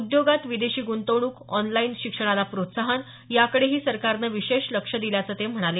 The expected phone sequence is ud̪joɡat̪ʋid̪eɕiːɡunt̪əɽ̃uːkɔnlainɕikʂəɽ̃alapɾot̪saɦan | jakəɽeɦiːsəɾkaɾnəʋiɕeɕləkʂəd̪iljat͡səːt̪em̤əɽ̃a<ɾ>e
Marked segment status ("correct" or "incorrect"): incorrect